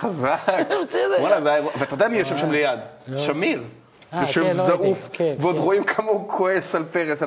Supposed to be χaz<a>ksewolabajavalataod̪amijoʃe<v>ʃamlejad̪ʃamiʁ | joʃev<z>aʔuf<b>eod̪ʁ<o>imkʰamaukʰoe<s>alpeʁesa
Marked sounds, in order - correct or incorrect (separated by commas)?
correct, correct, correct, incorrect, correct, correct